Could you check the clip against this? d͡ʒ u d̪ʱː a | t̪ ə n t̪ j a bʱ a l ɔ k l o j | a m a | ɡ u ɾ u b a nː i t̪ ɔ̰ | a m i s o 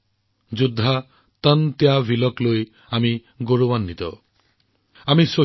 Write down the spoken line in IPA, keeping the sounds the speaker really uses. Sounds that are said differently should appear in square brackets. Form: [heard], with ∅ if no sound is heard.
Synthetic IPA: d͡ʒ u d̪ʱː a | t̪ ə n t̪ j a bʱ [i] l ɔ k l o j | a m [i] | ɡ [o] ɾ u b a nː i t̪ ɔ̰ | a m i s o